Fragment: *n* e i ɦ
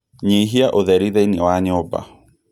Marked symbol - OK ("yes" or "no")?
no